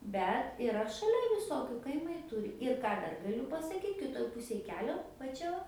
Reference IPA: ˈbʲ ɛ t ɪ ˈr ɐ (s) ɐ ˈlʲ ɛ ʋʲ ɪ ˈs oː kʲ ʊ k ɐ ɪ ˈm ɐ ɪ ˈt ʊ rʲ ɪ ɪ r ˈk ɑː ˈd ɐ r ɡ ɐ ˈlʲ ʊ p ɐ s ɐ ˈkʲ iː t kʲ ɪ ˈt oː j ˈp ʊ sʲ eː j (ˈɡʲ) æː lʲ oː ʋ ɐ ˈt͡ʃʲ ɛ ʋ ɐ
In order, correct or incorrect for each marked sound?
incorrect, incorrect

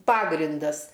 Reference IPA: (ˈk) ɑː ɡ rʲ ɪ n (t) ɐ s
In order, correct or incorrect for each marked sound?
incorrect, incorrect

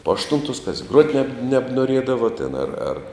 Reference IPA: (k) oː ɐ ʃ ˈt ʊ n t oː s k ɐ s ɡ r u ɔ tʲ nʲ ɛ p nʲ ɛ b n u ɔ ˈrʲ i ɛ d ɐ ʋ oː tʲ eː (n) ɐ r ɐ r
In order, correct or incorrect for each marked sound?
incorrect, correct

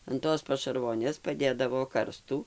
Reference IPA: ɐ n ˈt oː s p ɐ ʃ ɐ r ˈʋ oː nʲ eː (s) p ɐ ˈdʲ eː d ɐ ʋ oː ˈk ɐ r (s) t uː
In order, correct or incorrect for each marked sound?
correct, correct

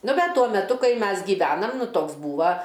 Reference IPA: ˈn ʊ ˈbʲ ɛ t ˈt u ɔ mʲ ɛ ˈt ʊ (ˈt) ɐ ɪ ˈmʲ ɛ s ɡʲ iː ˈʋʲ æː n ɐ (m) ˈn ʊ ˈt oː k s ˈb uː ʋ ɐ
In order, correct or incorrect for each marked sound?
incorrect, correct

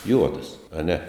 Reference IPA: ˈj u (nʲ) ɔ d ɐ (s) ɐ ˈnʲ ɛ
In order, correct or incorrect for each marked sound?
incorrect, correct

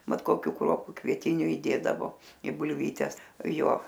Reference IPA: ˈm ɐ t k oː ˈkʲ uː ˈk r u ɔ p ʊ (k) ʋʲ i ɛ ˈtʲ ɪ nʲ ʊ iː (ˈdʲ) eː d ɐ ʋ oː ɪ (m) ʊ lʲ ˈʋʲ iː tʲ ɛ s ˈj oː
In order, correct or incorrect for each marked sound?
correct, correct, incorrect

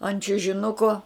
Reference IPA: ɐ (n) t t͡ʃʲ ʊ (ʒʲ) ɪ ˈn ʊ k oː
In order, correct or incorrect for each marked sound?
correct, correct

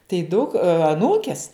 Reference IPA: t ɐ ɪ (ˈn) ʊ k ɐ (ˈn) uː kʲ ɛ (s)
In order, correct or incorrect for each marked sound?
incorrect, correct, correct

